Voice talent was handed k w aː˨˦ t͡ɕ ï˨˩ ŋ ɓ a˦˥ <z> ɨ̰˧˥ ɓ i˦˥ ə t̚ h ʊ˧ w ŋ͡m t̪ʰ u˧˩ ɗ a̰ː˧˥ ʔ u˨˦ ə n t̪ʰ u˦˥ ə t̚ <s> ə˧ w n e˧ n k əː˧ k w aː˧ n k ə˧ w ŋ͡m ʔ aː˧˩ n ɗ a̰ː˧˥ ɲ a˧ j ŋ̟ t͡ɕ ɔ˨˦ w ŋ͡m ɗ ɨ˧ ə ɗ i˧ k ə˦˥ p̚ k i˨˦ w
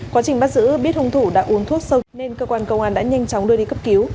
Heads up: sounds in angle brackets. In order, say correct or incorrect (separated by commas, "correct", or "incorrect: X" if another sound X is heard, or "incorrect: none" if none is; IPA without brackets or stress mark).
correct, correct